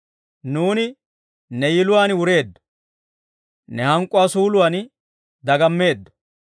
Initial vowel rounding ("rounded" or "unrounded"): rounded